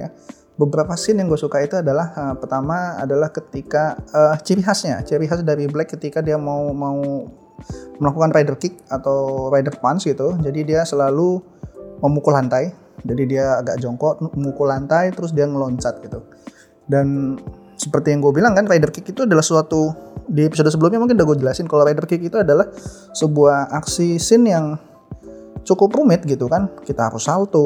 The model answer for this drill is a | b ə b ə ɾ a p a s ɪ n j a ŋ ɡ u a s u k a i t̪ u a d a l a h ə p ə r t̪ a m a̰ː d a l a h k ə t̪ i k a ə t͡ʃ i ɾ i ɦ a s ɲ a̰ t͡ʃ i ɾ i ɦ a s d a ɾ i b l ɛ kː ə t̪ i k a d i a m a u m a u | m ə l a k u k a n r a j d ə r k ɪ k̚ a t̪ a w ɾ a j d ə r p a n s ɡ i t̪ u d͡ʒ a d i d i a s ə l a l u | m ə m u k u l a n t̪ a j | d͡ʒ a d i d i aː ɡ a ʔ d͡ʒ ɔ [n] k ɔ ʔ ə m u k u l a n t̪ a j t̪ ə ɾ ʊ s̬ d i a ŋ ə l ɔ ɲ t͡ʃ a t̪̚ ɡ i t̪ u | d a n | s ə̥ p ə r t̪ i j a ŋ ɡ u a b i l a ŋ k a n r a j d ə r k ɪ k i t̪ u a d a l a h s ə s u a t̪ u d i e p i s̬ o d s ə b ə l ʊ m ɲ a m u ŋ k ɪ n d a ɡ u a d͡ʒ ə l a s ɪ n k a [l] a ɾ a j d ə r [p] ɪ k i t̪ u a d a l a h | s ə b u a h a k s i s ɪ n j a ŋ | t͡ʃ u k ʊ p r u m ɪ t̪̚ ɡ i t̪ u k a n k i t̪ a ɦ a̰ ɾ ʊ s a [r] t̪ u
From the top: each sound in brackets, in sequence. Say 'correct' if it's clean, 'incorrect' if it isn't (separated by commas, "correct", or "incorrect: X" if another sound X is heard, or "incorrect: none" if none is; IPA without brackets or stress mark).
incorrect: ŋ, correct, incorrect: k, incorrect: l